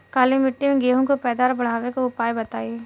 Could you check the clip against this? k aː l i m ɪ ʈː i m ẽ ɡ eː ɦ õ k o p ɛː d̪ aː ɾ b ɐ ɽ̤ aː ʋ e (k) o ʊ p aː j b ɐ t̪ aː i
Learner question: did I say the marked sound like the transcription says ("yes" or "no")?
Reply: yes